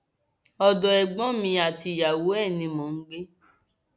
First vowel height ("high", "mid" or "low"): mid